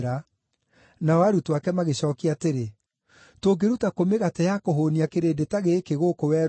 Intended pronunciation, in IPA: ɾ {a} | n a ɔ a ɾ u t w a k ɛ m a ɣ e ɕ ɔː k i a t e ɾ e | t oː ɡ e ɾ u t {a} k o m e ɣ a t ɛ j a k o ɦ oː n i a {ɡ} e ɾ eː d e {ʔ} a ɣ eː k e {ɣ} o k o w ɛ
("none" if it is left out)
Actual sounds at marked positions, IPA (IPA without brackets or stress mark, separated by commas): a, a, k, t, ɣ